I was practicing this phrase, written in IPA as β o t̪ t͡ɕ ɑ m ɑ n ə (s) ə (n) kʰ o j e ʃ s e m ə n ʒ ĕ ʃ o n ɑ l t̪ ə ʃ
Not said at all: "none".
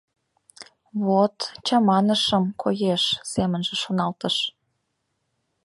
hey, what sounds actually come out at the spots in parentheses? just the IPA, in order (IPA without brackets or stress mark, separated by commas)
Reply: ʃ, m